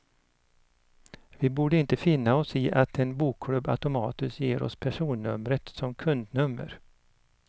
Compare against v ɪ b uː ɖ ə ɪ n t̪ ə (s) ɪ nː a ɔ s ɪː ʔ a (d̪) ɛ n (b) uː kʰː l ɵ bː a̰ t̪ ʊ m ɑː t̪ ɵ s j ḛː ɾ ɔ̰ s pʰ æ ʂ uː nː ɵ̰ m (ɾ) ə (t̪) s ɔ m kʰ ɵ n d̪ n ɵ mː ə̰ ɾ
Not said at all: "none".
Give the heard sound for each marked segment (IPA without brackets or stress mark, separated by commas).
f, t̪, b, ɾ, t̪